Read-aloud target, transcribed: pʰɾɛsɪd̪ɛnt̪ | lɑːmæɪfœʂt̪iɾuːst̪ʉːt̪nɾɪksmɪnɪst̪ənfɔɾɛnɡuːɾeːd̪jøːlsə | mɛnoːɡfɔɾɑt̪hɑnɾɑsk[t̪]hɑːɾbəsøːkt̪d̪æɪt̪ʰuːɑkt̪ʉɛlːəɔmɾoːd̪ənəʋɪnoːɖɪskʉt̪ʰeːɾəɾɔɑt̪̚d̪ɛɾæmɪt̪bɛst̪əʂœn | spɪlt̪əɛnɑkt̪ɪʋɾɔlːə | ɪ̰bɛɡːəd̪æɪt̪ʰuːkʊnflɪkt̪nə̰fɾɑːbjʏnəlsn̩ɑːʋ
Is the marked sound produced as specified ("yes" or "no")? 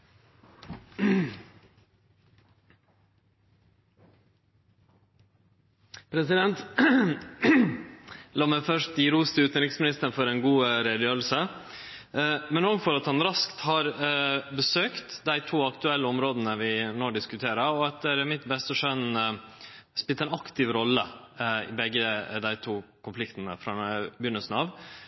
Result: yes